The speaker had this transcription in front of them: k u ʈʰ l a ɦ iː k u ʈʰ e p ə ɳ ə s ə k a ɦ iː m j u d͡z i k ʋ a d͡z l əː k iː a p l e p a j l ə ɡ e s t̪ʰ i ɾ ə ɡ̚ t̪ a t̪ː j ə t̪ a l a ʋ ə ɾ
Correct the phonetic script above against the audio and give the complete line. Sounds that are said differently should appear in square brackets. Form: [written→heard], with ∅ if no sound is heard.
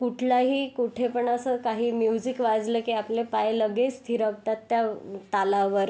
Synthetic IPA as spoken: k u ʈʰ l a ɦ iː k u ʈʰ e p ə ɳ ə s ə k a ɦ iː m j u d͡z i k ʋ a d͡z l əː k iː a p l e p a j l ə ɡ e s t̪ʰ i ɾ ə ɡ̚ t̪ a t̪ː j [ə→a] t̪ a l a ʋ ə ɾ